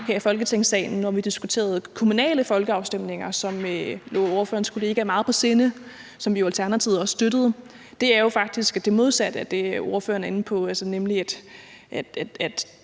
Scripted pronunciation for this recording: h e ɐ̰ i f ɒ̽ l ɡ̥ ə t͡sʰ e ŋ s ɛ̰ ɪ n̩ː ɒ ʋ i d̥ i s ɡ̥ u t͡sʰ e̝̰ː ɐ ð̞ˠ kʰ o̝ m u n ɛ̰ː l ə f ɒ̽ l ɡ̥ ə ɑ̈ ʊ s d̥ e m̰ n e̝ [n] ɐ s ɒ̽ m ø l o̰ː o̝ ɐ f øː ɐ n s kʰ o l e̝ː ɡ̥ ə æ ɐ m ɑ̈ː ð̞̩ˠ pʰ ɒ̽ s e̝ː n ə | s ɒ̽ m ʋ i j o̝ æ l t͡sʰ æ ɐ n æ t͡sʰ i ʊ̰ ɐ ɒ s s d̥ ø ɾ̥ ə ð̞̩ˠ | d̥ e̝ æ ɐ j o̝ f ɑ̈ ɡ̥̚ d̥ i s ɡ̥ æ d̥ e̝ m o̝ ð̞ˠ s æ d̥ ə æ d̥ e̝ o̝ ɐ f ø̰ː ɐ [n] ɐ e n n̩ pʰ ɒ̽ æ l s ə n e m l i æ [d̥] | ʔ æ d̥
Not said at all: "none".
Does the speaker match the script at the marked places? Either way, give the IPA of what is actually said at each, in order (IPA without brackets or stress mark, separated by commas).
ŋ, n, d̥